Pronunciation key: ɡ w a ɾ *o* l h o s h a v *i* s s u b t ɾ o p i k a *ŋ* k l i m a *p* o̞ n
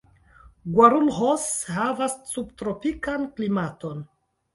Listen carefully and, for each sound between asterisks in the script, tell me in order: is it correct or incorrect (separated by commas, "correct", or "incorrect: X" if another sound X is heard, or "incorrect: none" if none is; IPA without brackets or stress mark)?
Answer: incorrect: u, incorrect: a, incorrect: n, incorrect: t